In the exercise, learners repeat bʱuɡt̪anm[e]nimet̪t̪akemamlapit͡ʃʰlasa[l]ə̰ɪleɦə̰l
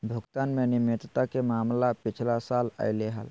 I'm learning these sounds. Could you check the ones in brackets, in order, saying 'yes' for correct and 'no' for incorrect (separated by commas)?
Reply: yes, yes